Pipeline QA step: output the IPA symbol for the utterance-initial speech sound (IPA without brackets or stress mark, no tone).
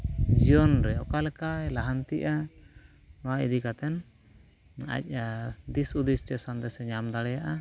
d͡ʒ